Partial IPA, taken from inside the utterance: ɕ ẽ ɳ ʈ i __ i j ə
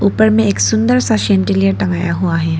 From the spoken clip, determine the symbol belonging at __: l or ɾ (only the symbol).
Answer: l